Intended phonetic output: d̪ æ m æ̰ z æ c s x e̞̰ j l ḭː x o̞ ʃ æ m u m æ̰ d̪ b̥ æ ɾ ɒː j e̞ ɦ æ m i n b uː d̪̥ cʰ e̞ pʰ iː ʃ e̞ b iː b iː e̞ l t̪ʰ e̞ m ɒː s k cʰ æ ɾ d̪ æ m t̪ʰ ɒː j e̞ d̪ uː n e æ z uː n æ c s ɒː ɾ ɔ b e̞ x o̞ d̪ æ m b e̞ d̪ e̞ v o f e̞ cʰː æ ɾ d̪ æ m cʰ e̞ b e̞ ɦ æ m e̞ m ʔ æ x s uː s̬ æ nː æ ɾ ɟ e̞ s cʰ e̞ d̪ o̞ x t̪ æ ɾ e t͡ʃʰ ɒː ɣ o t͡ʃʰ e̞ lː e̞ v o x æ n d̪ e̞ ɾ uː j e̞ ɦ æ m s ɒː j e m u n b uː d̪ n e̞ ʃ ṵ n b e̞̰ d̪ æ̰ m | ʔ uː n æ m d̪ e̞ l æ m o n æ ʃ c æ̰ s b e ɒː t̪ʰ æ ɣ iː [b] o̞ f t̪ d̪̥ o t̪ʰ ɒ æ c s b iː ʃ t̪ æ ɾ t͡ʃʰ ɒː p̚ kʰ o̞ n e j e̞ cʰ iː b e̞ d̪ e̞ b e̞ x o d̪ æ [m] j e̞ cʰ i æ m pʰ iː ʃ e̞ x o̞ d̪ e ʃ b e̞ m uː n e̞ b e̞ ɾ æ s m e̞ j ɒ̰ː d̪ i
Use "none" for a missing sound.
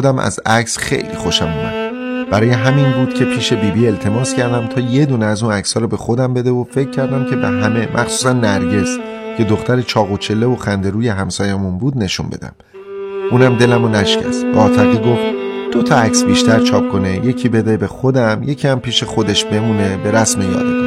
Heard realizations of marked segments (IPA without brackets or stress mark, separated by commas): ɡ, m